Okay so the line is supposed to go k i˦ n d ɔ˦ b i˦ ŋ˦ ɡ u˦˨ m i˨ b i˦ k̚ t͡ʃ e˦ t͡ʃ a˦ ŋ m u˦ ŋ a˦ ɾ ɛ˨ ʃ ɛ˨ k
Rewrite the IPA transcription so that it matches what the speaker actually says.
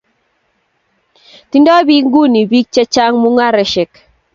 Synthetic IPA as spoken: t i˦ n d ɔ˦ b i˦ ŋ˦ ɡ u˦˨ n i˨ b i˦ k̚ t͡ʃ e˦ t͡ʃ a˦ ŋ m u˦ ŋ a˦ ɾ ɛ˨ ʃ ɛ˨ k